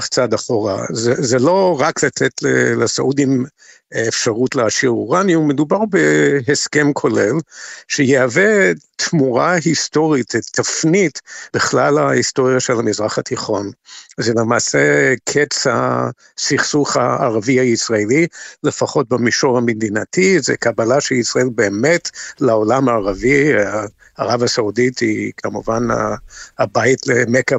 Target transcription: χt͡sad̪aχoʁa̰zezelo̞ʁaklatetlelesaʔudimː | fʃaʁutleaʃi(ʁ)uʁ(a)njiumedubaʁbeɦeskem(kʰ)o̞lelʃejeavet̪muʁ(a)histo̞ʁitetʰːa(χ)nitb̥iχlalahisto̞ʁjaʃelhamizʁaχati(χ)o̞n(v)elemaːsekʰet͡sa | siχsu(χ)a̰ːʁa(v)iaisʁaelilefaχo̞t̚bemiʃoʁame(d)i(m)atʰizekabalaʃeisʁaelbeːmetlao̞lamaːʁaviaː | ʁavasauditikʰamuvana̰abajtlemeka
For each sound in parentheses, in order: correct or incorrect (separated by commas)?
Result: correct, correct, correct, correct, incorrect, correct, incorrect, correct, correct, correct, incorrect